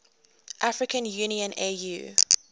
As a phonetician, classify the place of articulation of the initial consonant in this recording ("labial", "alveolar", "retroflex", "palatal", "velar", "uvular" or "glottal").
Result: glottal